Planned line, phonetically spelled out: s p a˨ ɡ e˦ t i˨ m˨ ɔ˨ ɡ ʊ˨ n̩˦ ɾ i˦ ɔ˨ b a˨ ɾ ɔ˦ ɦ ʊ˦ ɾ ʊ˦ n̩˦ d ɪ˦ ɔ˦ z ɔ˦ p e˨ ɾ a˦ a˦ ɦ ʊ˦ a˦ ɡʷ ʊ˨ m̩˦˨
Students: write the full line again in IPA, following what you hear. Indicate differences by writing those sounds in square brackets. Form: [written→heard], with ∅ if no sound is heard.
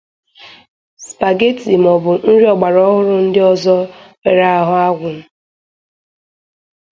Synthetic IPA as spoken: s p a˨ ɡ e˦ t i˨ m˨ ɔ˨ [ɡ→b] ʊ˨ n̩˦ ɾ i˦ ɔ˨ [b→ɡ͡b] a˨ ɾ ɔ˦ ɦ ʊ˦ ɾ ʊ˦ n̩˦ d ɪ˦ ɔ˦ z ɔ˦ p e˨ ɾ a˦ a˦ ɦ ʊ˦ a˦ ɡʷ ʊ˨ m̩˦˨